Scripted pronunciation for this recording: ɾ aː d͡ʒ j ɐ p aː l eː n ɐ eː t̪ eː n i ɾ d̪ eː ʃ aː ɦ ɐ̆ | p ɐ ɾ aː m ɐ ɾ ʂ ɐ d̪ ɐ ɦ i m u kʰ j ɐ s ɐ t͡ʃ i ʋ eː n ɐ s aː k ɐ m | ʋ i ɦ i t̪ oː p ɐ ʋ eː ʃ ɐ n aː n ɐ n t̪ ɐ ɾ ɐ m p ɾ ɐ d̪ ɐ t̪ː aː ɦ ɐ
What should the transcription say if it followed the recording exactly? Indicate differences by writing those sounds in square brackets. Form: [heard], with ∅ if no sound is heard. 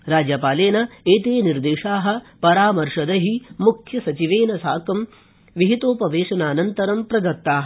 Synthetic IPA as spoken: ɾ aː d͡ʒ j ɐ p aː l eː n ɐ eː t̪ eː n i ɾ d̪ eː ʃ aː ɦ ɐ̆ | p ɐ ɾ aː m ɐ ɾ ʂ ɐ d̪ ɐ ɦ i m u kʰ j ɐ s ɐ t͡ʃ i ʋ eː n ɐ s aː k ɐ m | ʋ i ɦ i t̪ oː p ɐ ʋ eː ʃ ɐ n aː n ɐ n t̪ ɐ ɾ ɐ m p ɾ ɐ d̪ ɐ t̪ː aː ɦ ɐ